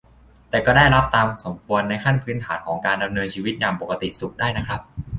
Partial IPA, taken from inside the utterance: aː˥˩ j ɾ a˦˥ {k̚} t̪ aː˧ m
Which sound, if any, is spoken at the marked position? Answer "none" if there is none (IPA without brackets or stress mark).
p̚